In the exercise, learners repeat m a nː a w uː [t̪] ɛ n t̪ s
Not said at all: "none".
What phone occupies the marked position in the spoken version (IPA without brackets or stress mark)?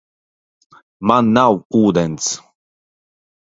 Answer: d̪